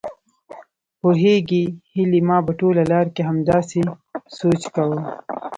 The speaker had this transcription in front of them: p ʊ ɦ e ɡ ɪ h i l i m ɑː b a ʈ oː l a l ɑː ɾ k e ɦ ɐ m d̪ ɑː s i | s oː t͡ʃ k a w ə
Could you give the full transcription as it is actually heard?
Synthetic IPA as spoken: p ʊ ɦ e ɡ i h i l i m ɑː b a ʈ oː l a l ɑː ɾ k e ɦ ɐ m d̪ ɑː s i | s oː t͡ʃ k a w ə

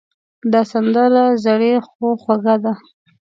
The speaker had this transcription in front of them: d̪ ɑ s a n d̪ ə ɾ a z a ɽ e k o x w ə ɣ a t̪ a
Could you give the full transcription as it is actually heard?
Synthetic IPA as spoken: d̪ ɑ s a n d̪ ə ɾ a z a ɽ e x o x w a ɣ a d̪ a

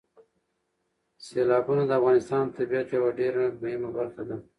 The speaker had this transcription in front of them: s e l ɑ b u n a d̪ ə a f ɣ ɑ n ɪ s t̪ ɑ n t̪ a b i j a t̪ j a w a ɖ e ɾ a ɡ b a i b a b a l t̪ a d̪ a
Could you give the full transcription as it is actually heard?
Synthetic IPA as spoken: s e l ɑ b u n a d̪ ə a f ɣ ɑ n ɪ s t̪ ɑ n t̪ a b i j a t̪ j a w a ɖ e ɾ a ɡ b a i m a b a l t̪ a d̪ a

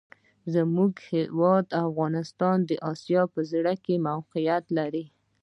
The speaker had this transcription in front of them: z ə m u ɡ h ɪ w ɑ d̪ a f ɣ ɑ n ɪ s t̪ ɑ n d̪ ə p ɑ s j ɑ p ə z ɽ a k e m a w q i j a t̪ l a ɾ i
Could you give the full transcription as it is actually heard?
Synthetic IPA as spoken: z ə m u ɡ h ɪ w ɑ d̪ a f ɣ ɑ n ɪ s t̪ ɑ n d̪ ə ʔ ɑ s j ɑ p ə z ɽ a k e m a w q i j a t̪ l a ɾ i

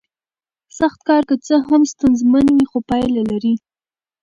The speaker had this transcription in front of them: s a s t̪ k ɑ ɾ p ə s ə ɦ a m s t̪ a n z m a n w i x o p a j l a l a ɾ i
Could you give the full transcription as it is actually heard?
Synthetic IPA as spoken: s a x t̪ k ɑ ɾ k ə t͡s ə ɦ a m s t̪ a n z m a n w i x o p ɑ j l a l a ɾ i

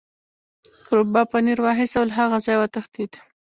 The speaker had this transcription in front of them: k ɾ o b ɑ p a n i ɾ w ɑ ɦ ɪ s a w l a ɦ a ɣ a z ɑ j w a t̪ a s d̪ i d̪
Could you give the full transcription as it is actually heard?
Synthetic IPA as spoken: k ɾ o b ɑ p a n i ɾ w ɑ ɦ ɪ s a w l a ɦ a ɣ a z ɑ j w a t̪ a x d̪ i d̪

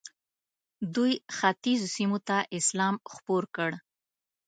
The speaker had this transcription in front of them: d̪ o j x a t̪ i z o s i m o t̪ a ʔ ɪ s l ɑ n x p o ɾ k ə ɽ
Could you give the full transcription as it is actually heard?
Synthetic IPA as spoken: d̪ u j x a t̪ i z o s i m o t̪ a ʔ ɪ s l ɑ m x p o ɾ k ə ɽ

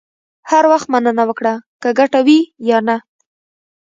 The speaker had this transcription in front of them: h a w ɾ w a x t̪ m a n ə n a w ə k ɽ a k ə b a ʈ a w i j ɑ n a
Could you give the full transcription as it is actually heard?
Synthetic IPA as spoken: h a ɾ w a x t̪ m a n ə n a w ə k ɽ a k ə ɡ a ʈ a w i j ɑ n a

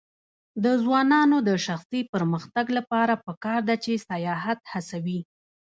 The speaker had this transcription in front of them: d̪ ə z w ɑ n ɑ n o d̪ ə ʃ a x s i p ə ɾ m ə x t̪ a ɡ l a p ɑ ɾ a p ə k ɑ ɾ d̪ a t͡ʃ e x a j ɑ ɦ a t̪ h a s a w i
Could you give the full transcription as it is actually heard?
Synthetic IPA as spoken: d̪ ə z w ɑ n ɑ n o d̪ ə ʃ a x s i p ə ɾ m ə x t̪ a ɡ l a p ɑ ɾ a p ə k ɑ ɾ d̪ a t͡ʃ e s a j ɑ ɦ a t̪ h a s a w i

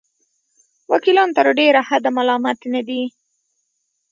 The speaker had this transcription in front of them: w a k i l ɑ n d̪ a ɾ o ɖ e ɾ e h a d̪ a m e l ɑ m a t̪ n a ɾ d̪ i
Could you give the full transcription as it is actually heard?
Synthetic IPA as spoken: w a k i l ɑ n t̪ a ɾ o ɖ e ɾ a h a d̪ a m a l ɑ m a t̪ n a d̪ i

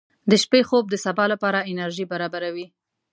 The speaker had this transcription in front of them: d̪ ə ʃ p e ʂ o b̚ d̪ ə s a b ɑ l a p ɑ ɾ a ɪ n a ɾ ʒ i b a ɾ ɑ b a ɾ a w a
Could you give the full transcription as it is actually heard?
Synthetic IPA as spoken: d̪ ə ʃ p e x o b̚ d̪ ə s a b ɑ l a p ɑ ɾ a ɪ n a ɾ ʒ i b a ɾ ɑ b a ɾ a w i

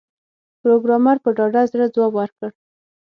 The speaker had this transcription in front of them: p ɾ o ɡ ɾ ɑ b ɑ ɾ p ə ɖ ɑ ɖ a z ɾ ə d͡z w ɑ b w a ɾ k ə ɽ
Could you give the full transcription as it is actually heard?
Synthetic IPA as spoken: p ɾ o ɡ ɾ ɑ m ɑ ɾ p ə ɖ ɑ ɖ a z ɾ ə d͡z w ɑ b w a ɾ k ə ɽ

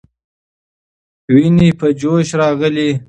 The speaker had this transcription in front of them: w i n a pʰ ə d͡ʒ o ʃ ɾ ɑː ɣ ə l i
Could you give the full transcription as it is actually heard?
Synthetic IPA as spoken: w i n i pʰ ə d͡ʒ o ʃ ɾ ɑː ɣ ə l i

